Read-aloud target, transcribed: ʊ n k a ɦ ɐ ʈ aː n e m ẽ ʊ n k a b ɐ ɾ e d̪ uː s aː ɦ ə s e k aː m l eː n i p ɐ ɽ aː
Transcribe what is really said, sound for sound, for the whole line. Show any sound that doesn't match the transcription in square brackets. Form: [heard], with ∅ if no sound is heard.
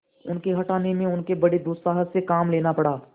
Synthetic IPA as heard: ʊ n k [e] ɦ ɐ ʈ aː n e m ẽ ʊ n k [e] b ɐ [ɽ] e d̪ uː s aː ɦ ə s e k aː m l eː n [a] p ɐ ɽ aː